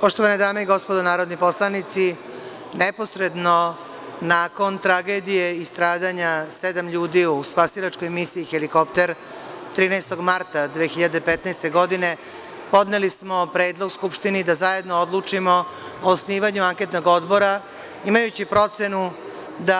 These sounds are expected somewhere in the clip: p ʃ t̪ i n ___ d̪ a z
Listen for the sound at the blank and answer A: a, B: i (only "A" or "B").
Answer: B